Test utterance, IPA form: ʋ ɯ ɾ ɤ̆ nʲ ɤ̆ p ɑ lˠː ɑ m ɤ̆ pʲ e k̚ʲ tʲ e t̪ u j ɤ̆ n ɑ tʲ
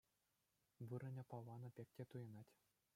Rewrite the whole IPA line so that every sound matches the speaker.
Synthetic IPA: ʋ ɯ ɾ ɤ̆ nʲ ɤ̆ p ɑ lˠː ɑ n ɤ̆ pʲ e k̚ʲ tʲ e t̪ u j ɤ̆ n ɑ tʲ